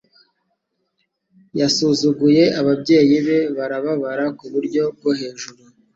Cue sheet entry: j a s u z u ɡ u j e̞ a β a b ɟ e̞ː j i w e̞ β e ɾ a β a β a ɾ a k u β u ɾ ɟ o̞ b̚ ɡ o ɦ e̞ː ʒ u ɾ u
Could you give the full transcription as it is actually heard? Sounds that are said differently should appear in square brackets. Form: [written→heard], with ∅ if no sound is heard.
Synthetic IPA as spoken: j a s u z u ɡ u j e̞ a β a b ɟ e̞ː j i [w→β] e̞ β [e→a] ɾ a β a β a ɾ a k u β u ɾ ɟ o̞ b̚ ɡ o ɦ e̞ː ʒ u ɾ u